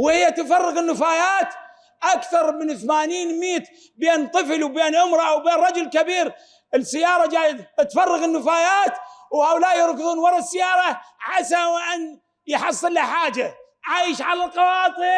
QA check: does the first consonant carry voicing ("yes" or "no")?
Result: yes